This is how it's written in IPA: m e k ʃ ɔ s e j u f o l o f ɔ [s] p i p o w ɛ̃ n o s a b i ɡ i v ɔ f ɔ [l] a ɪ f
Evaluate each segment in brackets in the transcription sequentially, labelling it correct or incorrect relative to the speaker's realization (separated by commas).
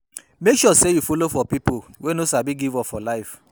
incorrect, correct